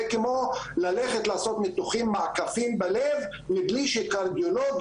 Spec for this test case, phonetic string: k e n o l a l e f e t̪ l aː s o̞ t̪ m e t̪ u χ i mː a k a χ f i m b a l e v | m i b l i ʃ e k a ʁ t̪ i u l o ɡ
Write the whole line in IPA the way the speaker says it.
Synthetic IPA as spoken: k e m o l a l e χ e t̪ l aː s o̞ t̪ m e t̪ u χ i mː a k a f i m b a l e v | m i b l i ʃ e k a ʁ d̪ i o l o ɡ